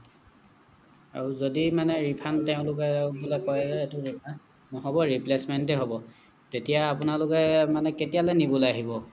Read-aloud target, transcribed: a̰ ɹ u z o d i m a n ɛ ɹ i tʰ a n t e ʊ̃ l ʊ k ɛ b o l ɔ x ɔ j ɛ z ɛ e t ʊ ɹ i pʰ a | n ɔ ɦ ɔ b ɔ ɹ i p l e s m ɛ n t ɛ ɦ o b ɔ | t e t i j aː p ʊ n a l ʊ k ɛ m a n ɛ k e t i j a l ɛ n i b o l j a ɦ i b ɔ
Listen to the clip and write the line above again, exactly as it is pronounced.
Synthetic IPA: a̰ ɹ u z o d i m a n ɛ ɹ i pʰ a n t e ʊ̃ l ʊ k ɛ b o l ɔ k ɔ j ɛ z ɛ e t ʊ ɹ i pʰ a | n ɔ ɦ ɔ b ɔ ɹ i p l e s m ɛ n t ɛ ɦ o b ɔ | t e t i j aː p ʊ n a l ʊ k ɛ m a n ɛ k e t i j a l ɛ n i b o l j a ɦ i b ɔ